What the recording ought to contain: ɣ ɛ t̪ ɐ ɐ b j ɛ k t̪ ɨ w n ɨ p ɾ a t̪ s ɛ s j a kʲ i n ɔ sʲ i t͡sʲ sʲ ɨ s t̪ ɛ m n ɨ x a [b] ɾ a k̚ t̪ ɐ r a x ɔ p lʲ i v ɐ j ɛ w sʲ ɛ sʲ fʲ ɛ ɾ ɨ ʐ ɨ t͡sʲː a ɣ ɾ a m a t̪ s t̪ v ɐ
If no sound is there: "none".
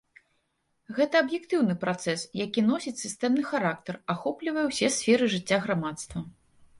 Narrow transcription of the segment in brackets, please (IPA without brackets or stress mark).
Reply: none